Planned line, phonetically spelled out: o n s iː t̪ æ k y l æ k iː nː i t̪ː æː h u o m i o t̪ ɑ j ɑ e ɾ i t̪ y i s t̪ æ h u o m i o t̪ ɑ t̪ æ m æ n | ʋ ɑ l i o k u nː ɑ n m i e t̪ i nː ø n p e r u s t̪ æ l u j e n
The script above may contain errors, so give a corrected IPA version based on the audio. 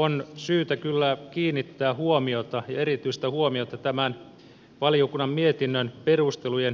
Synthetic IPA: o n s yː t̪ æ k y lː æ k iː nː i t̪ː æː h u o m i o t̪ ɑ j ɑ e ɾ i t̪ y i s t̪ æ h u o m i o t̪ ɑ t̪ æ m æ n | ʋ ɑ l i o k u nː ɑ m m i e t̪ i nː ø n p e r u s t̪ e l u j e n